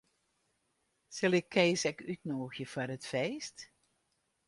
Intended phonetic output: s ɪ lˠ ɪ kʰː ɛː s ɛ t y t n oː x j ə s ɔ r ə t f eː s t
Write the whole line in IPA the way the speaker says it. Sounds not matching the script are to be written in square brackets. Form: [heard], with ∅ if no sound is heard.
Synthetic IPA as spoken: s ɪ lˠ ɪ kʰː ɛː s ɛ [k] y t n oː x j ə [f] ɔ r ə t f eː s t